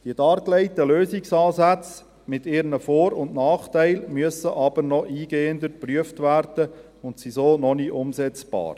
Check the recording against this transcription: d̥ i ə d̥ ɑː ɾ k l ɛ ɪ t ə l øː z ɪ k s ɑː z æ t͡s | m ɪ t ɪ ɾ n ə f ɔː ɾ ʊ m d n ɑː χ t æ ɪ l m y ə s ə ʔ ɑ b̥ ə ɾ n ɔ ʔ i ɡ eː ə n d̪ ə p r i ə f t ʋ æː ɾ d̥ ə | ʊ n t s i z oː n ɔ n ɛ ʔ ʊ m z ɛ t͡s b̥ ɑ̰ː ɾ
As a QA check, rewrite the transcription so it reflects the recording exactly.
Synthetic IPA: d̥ i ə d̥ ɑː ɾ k l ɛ ɪ t ə l øː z ɪ k s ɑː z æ t͡s | m ɪ t ɪ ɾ n ə f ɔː ɾ ʊ n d n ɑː χ t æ ɪ l m y ə s ə ʔ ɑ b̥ ə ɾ n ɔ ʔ iː ɡ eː ə n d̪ ə p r y ə f t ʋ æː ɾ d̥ ə | ʊ n t s i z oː n ɔ n i ʔ ʊ m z ɛ t͡s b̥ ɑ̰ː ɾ